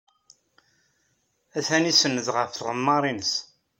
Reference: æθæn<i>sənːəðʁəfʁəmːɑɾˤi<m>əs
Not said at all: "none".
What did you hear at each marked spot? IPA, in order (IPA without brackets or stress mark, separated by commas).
i, n